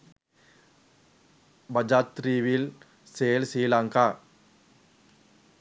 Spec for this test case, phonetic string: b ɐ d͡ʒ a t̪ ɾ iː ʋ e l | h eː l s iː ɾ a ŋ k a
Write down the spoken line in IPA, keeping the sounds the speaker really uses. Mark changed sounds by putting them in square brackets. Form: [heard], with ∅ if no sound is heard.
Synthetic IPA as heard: b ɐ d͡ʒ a t̪ ɾ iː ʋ [i] l | [s] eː l s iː [l] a ŋ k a